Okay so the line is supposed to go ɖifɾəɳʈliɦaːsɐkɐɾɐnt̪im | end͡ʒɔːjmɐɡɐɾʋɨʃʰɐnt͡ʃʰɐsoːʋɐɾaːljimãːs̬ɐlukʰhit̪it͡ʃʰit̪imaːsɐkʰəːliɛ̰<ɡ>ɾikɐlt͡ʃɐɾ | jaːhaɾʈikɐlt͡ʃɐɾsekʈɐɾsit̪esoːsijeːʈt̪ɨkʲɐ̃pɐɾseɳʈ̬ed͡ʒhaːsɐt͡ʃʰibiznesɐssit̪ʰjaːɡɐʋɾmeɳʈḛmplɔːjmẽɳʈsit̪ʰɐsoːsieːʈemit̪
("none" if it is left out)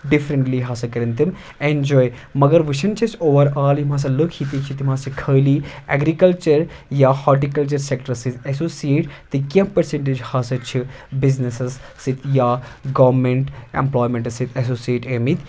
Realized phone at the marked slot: ɡ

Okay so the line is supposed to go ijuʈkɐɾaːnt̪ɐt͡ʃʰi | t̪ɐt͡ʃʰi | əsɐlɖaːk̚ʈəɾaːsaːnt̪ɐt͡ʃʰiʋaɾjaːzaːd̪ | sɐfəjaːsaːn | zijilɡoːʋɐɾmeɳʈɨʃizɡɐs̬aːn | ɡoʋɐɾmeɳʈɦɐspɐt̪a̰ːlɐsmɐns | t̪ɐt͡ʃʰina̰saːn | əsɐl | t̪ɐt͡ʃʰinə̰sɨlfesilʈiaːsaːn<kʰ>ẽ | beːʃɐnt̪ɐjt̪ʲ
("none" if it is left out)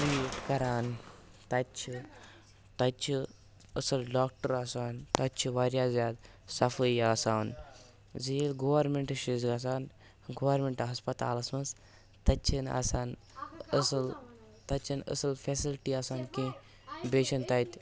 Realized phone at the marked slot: k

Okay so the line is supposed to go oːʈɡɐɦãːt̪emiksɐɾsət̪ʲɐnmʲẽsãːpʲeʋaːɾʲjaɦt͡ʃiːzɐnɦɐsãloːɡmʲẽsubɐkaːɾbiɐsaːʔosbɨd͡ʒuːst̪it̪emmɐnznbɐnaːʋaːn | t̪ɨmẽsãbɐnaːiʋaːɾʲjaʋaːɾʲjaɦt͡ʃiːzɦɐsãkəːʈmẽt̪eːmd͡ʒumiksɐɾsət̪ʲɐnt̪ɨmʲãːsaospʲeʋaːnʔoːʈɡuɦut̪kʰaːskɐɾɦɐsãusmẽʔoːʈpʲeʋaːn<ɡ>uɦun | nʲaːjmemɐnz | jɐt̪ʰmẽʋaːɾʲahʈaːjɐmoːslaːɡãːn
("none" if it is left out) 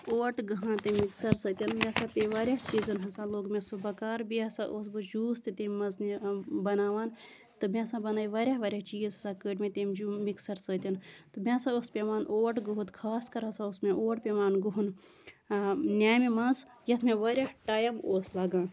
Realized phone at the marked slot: ɡ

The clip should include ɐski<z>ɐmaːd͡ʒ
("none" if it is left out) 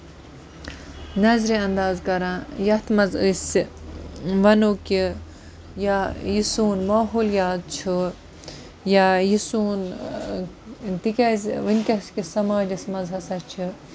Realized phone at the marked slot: s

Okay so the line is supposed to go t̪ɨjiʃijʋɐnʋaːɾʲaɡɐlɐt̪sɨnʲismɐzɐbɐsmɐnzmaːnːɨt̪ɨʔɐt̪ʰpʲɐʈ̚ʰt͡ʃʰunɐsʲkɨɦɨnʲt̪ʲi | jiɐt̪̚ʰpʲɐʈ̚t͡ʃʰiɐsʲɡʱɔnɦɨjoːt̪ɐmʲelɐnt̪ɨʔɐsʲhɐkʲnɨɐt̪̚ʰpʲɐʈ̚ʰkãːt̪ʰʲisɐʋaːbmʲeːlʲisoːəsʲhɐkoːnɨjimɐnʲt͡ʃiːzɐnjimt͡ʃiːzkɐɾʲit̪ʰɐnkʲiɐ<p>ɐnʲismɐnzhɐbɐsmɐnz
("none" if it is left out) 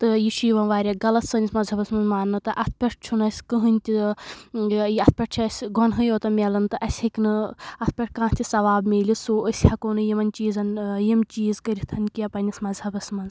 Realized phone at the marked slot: p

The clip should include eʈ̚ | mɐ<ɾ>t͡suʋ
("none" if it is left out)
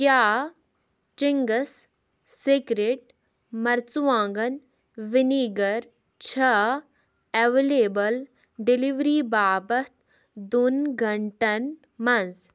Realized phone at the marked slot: ɾ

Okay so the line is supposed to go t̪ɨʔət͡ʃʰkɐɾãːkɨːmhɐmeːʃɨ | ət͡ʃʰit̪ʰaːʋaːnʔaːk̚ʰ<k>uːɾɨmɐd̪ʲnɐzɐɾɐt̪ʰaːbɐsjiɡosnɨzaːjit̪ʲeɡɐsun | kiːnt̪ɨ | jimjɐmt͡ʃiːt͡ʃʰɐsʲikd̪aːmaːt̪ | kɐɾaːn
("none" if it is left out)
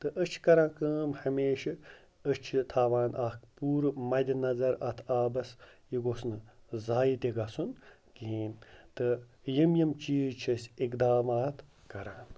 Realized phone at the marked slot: p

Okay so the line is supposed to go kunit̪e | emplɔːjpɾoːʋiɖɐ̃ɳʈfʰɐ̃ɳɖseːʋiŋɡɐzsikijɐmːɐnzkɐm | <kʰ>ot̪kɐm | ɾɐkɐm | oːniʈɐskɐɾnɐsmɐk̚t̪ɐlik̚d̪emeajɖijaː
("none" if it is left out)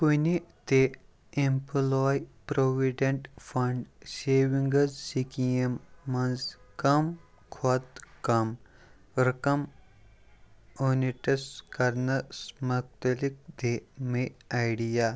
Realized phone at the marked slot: kʰ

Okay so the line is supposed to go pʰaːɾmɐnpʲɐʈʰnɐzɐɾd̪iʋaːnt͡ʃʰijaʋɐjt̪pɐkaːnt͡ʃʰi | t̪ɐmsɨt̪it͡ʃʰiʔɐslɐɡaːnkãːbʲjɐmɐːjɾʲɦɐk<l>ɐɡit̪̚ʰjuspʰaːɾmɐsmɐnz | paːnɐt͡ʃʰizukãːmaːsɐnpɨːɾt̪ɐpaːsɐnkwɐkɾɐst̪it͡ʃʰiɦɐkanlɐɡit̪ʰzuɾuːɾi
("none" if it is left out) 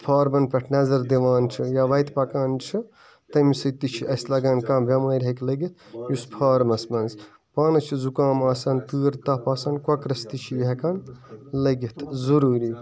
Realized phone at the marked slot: l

